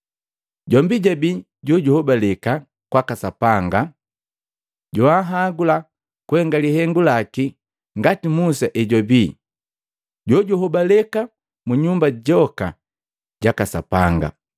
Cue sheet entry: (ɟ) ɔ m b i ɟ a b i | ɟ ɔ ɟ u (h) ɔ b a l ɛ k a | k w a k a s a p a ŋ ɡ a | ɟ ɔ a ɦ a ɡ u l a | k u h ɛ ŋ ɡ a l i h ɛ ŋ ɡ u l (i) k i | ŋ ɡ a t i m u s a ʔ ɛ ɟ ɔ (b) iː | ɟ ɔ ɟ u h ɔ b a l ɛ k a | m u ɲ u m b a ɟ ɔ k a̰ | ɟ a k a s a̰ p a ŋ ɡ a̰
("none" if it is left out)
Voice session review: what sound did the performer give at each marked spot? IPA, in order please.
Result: ɟ, h, a, b

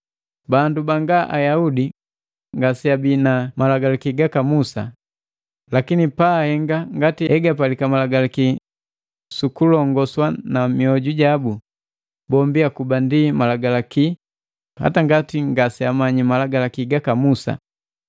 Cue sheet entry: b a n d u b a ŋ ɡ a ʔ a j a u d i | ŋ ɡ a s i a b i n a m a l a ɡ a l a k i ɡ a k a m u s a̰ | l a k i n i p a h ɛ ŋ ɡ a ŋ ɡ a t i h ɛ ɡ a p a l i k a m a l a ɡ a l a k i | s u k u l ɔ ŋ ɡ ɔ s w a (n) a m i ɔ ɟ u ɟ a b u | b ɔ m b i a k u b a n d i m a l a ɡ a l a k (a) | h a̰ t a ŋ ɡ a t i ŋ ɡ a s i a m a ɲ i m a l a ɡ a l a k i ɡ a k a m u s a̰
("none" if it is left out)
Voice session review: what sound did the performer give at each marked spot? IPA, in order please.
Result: n, i

